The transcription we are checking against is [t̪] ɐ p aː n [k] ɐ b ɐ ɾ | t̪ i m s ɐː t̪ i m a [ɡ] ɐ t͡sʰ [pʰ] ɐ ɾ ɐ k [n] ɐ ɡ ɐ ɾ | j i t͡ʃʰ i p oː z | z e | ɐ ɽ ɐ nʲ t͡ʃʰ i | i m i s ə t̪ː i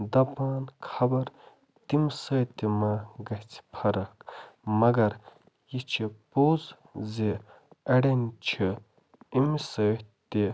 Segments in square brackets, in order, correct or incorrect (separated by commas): incorrect, incorrect, correct, correct, incorrect